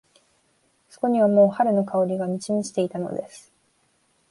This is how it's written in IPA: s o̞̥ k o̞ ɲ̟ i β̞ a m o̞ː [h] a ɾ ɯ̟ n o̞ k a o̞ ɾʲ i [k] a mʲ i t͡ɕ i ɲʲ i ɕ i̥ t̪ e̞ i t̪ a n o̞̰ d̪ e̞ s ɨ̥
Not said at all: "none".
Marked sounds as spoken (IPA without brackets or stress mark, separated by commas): h, ɡ